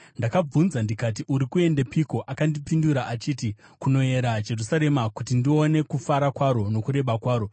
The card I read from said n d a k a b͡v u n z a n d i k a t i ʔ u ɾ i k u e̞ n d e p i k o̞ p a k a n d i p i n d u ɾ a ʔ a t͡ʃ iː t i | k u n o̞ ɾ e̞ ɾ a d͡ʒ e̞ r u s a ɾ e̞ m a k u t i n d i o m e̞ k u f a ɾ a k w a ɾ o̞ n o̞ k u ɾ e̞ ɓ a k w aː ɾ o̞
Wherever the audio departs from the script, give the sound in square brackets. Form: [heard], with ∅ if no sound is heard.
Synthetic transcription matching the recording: n d a k a b͡v u n z a n d i k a t i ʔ u ɾ i k u e̞ n d e p i k o̞ [ʔ] a k a n d i p i n d u ɾ a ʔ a t͡ʃ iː t i | k u n o̞ [∅] e̞ ɾ a d͡ʒ e̞ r u s a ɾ e̞ m a k u t i n d i o [n] e̞ k u f a ɾ a k w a ɾ o̞ n o̞ k u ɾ e̞ ɓ a k w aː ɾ o̞